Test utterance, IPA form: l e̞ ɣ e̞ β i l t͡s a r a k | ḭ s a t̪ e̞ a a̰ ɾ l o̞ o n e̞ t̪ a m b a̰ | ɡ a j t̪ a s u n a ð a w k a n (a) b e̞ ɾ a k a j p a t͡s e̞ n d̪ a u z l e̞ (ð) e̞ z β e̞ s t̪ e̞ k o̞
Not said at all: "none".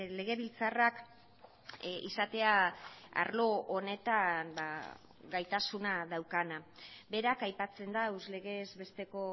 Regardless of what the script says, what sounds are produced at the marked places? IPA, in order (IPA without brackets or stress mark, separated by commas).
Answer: a, ɣ